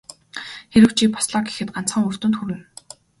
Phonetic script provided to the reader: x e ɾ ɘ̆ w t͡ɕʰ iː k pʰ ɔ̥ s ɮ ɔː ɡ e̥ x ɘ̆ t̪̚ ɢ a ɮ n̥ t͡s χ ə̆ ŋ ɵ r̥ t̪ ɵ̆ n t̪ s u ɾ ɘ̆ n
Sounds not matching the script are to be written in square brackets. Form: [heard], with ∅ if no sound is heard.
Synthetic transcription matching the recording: x e ɾ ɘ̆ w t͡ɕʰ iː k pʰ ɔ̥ s ɮ ɔː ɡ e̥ x ɘ̆ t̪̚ ɢ a [∅] n̥ t͡s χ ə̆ ŋ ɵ r̥ t̪ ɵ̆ n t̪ [x] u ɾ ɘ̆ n